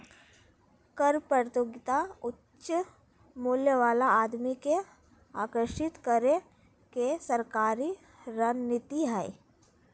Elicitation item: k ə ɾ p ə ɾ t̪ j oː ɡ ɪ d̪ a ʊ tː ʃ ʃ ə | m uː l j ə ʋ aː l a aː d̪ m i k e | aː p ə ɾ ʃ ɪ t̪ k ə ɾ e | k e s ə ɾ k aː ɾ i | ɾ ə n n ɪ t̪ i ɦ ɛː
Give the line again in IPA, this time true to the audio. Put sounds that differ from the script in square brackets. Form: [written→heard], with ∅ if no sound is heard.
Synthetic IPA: k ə ɾ p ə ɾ t̪ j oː ɡ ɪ [d̪→t̪] a ʊ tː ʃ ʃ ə | m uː l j ə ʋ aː l a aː d̪ m i k e | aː [p→k] ə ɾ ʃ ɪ t̪ k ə ɾ e | k e s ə ɾ k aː ɾ i | ɾ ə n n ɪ t̪ i ɦ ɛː